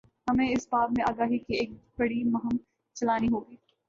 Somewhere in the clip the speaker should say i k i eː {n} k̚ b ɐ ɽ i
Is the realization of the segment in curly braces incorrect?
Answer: yes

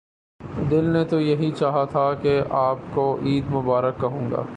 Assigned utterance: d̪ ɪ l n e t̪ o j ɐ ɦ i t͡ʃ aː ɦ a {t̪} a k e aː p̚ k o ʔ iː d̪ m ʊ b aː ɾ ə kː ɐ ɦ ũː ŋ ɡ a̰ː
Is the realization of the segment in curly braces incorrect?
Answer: yes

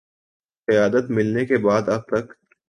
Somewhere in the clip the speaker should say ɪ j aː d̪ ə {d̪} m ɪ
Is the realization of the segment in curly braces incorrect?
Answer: yes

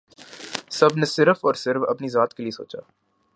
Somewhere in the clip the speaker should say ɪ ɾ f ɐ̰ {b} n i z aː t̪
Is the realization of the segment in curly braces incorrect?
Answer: yes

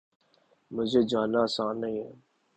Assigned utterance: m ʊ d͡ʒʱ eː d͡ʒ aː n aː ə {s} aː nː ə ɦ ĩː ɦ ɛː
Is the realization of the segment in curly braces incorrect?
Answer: no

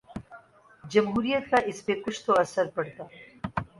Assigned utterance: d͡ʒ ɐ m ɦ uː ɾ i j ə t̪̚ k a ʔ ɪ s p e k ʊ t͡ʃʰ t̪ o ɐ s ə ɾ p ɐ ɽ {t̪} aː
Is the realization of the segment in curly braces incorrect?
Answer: no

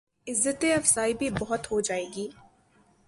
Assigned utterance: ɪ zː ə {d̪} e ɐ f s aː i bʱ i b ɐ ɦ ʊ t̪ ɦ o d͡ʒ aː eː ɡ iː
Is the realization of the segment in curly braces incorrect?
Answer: yes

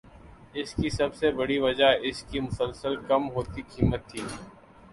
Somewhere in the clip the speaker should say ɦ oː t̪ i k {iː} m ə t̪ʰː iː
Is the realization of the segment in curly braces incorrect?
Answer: no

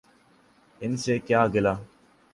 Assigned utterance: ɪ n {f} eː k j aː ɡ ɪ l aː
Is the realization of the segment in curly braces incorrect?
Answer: yes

